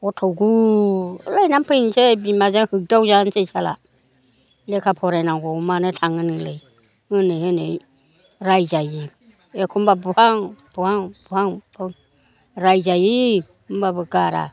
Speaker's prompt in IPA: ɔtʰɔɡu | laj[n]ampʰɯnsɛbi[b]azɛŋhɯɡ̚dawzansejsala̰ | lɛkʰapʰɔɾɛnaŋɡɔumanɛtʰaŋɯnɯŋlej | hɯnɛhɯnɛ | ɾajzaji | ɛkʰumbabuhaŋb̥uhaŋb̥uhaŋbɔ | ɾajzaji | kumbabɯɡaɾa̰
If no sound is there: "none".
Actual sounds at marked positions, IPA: n, m

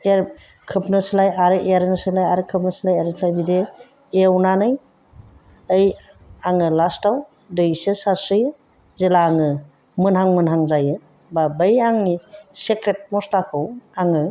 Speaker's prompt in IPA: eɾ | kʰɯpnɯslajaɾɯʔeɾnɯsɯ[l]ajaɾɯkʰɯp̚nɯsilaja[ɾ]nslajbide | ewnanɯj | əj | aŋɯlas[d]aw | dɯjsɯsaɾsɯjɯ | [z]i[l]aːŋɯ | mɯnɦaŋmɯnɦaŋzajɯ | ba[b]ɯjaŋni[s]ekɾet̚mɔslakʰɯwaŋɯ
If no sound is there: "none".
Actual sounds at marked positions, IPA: l, ɾ, t, z, l, b, s

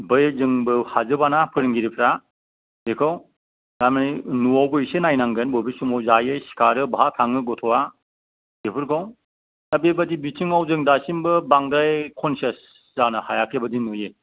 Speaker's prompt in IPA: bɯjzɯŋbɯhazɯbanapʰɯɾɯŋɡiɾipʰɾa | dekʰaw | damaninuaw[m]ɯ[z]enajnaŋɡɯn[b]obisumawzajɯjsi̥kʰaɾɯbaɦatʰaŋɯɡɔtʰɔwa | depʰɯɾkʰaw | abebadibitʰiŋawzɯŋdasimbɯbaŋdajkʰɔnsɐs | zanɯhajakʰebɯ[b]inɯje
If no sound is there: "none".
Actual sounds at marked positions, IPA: b, s, b, d

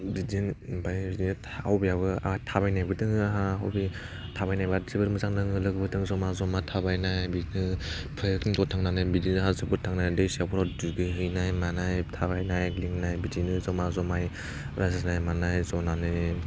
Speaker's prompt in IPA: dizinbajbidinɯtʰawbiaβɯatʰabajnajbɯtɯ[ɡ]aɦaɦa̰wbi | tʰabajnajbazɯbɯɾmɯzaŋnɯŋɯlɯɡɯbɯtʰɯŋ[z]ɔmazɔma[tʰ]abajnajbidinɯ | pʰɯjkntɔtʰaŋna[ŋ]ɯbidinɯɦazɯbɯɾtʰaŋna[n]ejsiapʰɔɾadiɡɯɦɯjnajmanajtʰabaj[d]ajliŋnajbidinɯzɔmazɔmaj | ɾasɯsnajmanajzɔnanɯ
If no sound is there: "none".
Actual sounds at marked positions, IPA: ŋ, z, tʰ, n, d, n

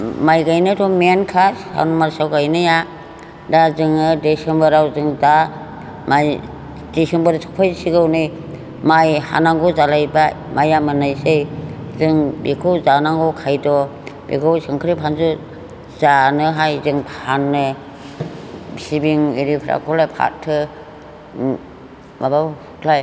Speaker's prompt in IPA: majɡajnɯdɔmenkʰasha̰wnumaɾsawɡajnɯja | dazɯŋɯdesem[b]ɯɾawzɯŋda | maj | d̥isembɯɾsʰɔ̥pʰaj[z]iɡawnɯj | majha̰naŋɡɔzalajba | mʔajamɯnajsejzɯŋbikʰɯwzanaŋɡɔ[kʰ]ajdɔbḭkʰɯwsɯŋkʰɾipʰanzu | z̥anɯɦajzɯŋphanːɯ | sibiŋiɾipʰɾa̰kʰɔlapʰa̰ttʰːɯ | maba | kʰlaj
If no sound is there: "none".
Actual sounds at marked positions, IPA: b, s, kʰ

